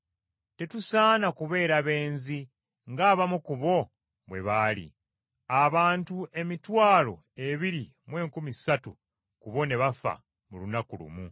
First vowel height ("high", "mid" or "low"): mid